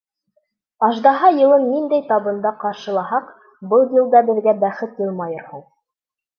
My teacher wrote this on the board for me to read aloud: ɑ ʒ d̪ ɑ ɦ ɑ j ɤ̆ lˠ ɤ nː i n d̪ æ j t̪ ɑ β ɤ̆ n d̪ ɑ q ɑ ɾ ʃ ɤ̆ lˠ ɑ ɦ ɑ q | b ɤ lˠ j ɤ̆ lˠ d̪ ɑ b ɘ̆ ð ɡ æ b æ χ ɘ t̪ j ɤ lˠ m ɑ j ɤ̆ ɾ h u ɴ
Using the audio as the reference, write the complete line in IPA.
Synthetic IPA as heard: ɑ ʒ d̪ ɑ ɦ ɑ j ɤ̆ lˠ ɤ nː i n d̪ æ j t̪ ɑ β ɤ̆ n d̪ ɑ q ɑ ɾ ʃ ɤ̆ lˠ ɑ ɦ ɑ q | b ɤ lˠ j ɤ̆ lˠ d̪ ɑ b ɘ̆ ð ɡ æ b æ χ ɘ t̪ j ɤ lˠ m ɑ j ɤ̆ ɾ h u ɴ